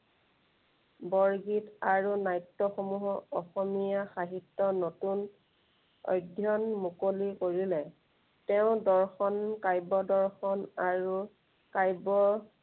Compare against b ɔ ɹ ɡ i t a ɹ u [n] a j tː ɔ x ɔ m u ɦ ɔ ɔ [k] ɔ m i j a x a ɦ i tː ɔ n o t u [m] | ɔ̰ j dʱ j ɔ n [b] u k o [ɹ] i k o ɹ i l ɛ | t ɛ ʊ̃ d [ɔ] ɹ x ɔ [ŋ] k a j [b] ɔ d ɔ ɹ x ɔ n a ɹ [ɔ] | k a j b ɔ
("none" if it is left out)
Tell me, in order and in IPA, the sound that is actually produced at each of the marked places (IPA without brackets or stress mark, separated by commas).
n, x, n, m, l, ɔ, n, b, u